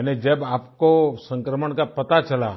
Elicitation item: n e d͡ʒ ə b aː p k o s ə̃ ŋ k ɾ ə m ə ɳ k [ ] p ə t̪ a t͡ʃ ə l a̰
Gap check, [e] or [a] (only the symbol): a